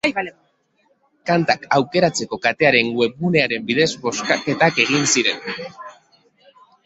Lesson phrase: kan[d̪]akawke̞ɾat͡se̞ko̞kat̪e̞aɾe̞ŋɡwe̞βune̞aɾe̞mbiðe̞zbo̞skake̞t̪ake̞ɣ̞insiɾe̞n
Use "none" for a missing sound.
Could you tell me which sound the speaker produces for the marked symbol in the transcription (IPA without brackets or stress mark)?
t̪